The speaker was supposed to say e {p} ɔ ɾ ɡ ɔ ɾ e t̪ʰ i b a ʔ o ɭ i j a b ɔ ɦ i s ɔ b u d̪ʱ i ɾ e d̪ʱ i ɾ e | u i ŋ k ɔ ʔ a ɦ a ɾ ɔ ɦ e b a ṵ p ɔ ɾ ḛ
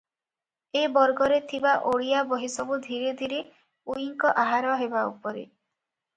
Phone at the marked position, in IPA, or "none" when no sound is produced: b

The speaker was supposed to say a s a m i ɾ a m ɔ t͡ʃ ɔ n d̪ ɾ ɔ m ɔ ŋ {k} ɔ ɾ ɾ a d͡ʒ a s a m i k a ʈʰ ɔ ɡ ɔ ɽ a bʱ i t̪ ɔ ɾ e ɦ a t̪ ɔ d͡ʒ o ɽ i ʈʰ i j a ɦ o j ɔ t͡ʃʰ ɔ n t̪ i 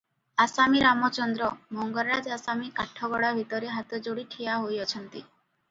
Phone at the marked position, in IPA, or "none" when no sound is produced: ɡ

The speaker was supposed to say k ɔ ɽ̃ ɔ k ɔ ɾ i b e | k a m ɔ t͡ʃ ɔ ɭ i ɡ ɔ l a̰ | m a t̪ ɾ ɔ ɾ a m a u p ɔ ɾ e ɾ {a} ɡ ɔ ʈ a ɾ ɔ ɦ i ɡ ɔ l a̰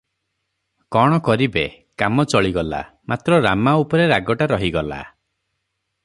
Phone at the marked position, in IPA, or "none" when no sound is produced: a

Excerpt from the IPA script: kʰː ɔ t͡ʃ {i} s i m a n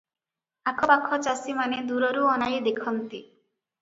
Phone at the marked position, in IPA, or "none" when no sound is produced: a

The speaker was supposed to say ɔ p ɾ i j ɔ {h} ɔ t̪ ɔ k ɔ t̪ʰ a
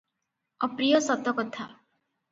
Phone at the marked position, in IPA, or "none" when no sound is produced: s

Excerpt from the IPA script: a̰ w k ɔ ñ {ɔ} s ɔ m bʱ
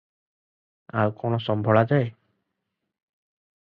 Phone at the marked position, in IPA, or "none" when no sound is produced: ɔ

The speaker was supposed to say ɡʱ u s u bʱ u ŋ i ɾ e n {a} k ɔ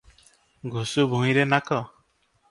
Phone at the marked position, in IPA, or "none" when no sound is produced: a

